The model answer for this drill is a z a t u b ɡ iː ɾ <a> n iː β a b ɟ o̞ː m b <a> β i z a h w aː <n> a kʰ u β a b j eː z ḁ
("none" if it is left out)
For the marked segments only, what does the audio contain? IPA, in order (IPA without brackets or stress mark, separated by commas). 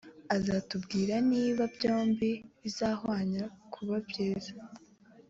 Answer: a, i, ɲ